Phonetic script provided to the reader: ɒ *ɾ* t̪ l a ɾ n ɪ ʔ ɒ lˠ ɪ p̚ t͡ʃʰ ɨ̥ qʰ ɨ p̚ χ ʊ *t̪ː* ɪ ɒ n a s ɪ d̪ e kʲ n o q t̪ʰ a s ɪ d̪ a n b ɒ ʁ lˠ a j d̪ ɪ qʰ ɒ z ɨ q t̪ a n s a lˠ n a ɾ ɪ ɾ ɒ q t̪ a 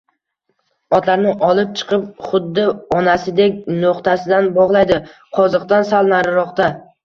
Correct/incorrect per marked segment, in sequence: incorrect: none, incorrect: d̪ː

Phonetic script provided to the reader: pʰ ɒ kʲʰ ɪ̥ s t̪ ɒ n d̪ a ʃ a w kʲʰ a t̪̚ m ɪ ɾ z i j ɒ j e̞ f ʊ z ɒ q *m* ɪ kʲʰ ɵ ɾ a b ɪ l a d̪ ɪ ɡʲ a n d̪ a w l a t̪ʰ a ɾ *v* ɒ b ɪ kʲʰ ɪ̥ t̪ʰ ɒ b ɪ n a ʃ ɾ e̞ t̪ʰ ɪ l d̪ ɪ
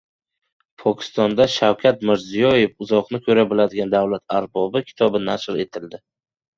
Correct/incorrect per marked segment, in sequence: incorrect: n, incorrect: b

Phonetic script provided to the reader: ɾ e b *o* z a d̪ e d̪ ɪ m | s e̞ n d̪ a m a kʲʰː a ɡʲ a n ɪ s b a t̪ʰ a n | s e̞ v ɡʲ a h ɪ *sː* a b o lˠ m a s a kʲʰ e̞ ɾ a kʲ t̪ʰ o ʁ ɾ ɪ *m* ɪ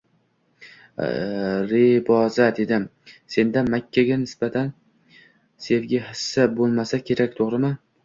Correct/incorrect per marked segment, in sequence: incorrect: ɒ, correct, correct

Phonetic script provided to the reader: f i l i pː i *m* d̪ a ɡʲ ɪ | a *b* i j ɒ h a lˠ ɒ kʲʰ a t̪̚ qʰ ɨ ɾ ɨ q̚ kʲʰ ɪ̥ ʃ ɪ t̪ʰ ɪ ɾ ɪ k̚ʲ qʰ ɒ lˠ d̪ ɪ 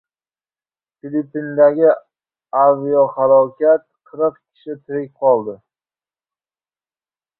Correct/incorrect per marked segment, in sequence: incorrect: n, incorrect: v

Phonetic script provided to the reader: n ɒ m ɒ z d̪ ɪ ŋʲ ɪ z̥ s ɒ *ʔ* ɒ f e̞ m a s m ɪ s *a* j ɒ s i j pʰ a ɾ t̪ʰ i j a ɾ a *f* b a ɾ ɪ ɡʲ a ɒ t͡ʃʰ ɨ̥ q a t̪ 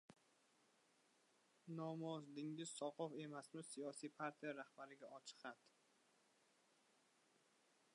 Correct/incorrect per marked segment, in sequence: incorrect: q, incorrect: i, incorrect: h

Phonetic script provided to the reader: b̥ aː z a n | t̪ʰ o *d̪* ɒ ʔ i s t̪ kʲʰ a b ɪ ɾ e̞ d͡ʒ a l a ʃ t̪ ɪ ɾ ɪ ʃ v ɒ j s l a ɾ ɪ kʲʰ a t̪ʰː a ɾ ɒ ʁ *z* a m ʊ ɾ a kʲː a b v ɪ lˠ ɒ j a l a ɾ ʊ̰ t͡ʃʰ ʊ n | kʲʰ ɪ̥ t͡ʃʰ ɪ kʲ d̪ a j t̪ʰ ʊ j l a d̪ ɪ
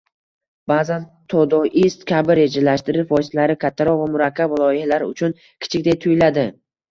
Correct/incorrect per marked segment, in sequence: correct, incorrect: v

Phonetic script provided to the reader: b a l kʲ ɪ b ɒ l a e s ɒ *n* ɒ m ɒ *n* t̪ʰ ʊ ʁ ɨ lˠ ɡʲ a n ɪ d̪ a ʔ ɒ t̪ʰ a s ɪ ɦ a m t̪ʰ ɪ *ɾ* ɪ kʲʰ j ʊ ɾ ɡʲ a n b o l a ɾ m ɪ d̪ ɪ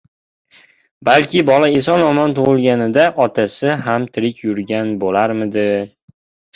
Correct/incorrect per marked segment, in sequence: correct, correct, correct

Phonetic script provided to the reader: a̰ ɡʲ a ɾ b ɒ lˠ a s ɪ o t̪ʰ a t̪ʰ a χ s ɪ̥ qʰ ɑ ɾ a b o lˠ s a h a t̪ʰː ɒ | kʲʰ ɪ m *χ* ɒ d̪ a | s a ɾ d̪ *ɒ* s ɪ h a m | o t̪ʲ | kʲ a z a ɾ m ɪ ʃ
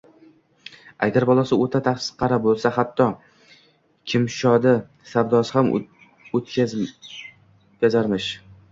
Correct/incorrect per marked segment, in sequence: incorrect: ʃ, correct

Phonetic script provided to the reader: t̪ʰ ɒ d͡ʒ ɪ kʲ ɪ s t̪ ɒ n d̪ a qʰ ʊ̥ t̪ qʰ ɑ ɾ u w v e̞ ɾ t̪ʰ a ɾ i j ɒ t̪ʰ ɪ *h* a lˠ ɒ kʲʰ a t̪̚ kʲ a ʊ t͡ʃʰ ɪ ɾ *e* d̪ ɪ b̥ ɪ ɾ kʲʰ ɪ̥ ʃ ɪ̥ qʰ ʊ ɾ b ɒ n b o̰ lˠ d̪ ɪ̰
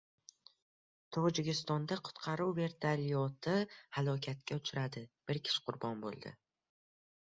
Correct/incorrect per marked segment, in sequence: correct, incorrect: a

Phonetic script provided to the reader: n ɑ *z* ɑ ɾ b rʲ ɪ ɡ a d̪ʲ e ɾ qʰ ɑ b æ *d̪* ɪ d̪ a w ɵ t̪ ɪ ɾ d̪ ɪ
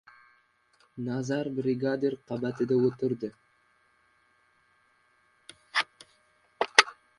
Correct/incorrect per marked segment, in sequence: correct, incorrect: t̪

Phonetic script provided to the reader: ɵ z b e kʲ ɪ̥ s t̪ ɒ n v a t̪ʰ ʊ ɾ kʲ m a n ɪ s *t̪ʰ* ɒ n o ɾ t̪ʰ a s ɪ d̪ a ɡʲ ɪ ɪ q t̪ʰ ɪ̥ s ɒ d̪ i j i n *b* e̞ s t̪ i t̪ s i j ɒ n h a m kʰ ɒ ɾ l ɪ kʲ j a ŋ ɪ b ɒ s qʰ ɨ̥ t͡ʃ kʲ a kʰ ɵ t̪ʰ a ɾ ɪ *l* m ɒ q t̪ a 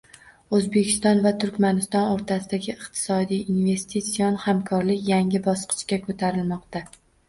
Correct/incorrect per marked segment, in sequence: incorrect: t̪, incorrect: v, correct

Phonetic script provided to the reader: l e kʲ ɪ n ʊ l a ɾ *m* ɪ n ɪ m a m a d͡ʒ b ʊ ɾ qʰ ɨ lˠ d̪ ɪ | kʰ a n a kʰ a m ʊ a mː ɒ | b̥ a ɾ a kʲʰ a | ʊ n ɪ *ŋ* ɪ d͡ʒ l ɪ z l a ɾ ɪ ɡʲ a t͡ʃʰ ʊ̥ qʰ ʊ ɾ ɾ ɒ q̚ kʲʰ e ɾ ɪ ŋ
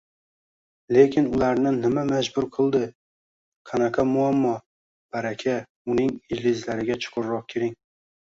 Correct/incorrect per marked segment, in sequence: incorrect: n, correct

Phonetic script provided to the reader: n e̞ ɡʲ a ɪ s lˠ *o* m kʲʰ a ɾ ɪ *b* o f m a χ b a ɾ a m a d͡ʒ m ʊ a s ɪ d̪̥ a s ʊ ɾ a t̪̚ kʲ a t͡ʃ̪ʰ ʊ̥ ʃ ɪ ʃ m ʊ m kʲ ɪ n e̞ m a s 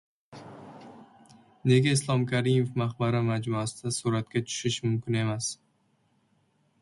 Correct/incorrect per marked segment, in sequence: incorrect: ɒ, incorrect: m

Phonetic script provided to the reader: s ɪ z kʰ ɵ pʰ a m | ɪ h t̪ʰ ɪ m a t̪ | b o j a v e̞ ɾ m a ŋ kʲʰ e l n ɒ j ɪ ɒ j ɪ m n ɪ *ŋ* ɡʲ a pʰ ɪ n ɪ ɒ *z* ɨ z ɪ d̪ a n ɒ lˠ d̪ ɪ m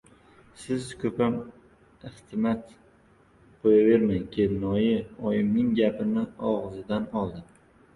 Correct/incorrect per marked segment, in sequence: correct, incorrect: ʁ

